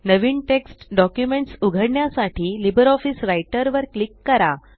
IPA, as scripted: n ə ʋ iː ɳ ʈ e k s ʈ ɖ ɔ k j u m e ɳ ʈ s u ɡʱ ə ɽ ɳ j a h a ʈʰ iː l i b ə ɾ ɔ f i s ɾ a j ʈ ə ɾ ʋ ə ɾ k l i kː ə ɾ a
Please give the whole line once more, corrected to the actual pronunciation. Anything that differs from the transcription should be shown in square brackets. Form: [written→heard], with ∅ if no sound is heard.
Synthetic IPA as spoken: n ə ʋ iː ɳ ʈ e k s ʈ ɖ ɔ k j u m e ɳ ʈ s u ɡʱ ə ɽ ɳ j a [h→s] a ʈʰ iː l i b ə ɾ ɔ f i s ɾ a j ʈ ə ɾ ʋ ə ɾ k l i kː ə ɾ a